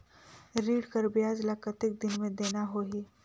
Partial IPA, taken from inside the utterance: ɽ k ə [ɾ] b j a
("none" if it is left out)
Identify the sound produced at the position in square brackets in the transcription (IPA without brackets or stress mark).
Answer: ɾ